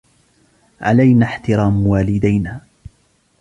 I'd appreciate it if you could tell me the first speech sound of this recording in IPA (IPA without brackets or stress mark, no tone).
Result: ʕ